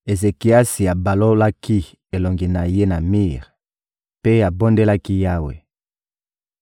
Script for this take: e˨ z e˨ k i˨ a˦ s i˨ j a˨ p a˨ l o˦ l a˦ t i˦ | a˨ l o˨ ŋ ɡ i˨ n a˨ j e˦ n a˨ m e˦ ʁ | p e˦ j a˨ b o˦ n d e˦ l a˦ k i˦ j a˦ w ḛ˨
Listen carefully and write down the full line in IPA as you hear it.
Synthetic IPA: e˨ z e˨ k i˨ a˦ s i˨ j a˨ b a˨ l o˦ l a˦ k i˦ | e˨ l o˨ ŋ ɡ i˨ n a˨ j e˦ n a˨ m i˦ ʁ | p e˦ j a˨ b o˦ n d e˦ l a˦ k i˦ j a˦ w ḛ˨